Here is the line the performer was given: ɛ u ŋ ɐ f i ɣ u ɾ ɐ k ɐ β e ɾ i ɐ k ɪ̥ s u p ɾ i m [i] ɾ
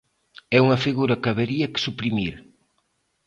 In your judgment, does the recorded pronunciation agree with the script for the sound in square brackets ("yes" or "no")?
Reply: yes